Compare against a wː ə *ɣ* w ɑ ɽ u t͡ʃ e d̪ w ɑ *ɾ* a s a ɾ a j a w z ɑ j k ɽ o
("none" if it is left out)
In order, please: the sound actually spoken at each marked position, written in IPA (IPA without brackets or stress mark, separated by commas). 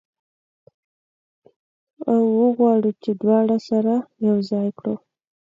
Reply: ɣ, ɽ